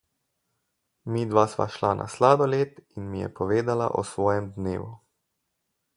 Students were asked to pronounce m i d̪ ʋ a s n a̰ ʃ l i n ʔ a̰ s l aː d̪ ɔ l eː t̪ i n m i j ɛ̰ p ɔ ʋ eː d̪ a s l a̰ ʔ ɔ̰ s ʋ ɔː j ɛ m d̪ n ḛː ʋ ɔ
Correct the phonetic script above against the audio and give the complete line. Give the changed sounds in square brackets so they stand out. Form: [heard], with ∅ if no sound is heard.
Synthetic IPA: m i d̪ ʋ a s [m] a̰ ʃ l [a] n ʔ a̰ s l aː d̪ ɔ l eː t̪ i n m i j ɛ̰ p ɔ ʋ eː d̪ a [∅] l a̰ ʔ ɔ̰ s ʋ ɔː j ɛ m d̪ n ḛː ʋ [u]